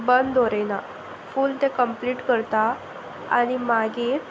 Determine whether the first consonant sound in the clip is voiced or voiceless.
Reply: voiced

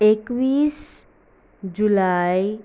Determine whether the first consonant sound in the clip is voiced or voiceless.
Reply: voiceless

